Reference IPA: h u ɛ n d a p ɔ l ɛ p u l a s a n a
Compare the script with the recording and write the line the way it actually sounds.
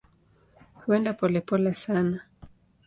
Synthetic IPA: h u ɛ n d a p ɔ l ɛ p ɔ l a s a n a